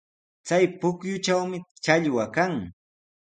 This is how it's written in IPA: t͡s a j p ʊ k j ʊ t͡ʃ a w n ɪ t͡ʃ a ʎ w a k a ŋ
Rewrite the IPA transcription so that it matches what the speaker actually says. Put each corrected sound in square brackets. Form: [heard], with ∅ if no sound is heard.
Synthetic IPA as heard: t͡s a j p ʊ k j ʊ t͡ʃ a w [m] ɪ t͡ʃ a ʎ w a k a ŋ